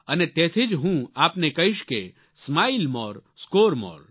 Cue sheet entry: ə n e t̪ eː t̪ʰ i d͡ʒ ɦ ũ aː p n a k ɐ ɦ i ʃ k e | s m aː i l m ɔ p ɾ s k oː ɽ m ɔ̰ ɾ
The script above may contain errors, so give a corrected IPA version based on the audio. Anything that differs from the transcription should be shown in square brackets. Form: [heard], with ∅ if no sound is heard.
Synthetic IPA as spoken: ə n e t̪ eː t̪ʰ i d͡ʒ ɦ ũ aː p n [e] k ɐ ɦ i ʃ k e | s m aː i l m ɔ [∅] ɾ s k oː [ɾ] m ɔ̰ ɾ